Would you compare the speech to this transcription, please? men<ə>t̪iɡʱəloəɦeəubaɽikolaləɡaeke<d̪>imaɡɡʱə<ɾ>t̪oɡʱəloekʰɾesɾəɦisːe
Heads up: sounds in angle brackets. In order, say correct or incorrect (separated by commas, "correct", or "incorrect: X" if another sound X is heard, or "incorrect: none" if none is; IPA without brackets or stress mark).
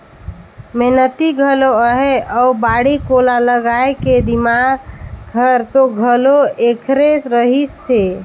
correct, correct, correct